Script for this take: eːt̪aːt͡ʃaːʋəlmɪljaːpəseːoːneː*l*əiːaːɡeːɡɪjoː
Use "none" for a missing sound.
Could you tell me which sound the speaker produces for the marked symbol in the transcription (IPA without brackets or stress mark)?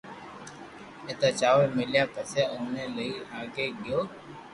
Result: l